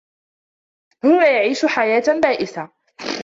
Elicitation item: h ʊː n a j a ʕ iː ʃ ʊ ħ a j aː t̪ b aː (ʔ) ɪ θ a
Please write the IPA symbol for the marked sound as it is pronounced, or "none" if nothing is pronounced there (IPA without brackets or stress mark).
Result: ʔ